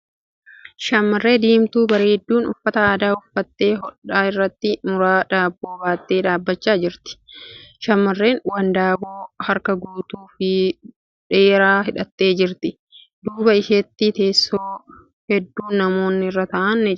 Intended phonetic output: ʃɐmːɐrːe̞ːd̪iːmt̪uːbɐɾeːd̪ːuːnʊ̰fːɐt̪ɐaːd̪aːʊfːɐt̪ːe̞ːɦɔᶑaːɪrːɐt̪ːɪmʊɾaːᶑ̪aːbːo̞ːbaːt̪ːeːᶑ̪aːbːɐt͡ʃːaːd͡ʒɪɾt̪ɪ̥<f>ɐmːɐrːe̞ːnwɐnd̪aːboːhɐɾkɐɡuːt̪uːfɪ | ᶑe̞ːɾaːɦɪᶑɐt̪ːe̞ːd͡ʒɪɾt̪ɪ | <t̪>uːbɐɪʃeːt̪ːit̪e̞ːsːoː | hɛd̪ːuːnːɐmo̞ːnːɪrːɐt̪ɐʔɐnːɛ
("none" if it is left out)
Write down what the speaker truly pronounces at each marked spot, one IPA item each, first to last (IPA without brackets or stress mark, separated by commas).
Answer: ʃ, d̪